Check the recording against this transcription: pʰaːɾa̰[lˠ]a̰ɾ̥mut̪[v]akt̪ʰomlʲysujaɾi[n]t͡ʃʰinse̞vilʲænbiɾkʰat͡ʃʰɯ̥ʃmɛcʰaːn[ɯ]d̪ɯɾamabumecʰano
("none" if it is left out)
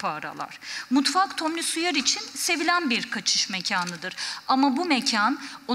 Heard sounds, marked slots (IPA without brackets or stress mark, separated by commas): lˠ, f, none, ɯ